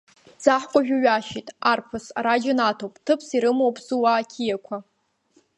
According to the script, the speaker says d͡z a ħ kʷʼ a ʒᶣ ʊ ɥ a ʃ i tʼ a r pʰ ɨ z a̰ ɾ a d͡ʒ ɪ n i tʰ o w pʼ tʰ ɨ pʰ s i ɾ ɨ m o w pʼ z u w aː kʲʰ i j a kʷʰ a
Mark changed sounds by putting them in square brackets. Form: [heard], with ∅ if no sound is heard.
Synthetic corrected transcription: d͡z a ħ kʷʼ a ʒᶣ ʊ ɥ a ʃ i tʼ a r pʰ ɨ [s] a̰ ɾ a d͡ʒ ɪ n [a] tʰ o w pʼ tʰ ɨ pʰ s i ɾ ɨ m o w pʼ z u w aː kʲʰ i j a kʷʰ a